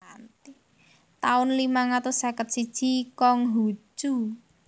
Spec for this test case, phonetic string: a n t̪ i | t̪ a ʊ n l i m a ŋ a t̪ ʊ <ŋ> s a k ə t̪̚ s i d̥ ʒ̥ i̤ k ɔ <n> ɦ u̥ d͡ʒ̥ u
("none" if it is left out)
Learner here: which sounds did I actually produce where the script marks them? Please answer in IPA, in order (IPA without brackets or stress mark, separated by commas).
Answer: none, ŋ